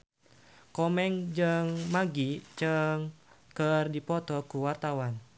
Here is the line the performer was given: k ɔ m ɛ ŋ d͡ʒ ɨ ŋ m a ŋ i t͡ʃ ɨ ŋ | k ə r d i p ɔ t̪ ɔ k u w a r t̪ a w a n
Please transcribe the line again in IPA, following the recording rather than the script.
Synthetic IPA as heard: k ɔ m ɛ ŋ d͡ʒ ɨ ŋ m a ɡ i t͡ʃ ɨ ŋ | k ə r d i p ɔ t̪ ɔ k u w a r t̪ a w a n